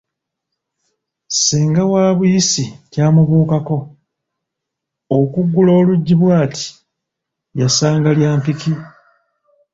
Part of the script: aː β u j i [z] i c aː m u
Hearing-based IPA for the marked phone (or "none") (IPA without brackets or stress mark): s